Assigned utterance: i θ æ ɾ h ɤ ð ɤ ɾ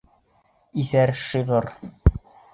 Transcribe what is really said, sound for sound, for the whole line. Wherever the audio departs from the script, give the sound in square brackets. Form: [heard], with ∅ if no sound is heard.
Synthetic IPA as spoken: i θ æ ɾ [ʃ] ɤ [ʁ] ɤ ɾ